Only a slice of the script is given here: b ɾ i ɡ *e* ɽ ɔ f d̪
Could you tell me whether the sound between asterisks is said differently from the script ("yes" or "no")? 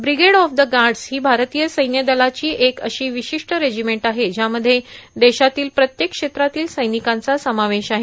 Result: no